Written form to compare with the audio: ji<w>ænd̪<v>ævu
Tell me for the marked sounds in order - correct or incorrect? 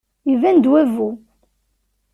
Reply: incorrect, incorrect

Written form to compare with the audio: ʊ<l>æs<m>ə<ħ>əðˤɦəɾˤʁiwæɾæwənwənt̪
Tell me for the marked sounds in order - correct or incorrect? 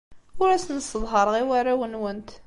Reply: incorrect, incorrect, incorrect

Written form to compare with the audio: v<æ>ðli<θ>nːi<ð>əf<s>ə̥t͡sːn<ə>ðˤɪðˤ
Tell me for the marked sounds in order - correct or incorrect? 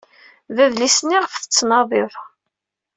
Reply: correct, incorrect, incorrect, incorrect, incorrect

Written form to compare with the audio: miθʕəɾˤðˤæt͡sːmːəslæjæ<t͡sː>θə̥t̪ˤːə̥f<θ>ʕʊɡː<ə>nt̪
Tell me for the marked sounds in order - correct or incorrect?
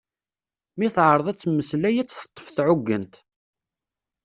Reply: correct, correct, correct

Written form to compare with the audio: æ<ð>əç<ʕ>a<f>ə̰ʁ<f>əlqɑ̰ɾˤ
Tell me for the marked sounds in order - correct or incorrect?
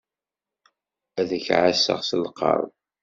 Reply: correct, correct, incorrect, incorrect

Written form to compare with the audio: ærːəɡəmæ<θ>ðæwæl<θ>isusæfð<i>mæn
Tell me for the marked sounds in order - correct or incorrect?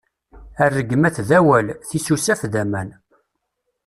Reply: correct, correct, incorrect

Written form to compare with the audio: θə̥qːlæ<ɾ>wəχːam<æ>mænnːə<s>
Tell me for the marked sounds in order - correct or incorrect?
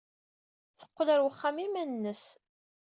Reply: correct, incorrect, correct

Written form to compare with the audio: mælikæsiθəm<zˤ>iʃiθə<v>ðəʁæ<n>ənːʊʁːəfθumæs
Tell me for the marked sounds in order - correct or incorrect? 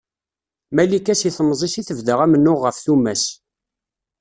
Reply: correct, correct, incorrect

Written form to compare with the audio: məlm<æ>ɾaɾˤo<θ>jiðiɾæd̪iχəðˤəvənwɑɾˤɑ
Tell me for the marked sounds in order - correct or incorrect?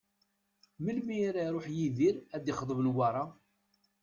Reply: incorrect, incorrect

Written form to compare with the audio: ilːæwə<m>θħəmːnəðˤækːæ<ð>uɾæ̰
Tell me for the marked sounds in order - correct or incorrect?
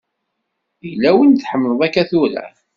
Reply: incorrect, incorrect

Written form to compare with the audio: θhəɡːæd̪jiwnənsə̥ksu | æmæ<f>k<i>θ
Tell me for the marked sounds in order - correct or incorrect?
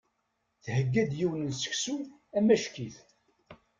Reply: incorrect, correct

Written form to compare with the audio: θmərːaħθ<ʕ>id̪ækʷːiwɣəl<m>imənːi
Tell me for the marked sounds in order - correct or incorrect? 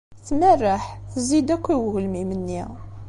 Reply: incorrect, correct

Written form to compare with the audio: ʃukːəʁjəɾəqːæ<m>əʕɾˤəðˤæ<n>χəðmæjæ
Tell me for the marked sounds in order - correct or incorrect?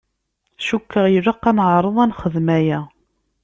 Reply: incorrect, correct

